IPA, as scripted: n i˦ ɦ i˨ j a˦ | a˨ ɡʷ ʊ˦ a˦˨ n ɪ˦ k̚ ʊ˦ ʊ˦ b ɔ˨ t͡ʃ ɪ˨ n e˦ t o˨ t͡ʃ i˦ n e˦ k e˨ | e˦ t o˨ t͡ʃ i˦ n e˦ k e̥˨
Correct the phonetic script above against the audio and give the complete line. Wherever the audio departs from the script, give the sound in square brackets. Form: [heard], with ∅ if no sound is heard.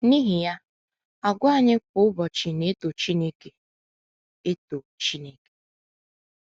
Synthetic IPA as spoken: n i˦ ɦ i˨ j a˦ | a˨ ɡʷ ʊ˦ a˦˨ [ɲ] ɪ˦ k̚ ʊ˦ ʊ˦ b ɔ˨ t͡ʃ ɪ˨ n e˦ t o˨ t͡ʃ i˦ n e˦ k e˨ | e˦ t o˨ t͡ʃ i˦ n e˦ k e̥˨